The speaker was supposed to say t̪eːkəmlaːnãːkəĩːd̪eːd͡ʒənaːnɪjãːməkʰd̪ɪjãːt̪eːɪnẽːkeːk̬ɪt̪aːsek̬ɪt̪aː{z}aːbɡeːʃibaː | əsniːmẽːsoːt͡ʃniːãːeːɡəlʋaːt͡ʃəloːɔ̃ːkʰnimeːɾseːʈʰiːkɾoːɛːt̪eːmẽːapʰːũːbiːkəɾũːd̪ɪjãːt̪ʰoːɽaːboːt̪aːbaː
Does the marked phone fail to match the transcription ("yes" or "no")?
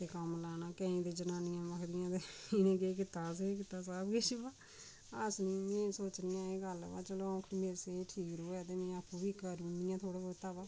yes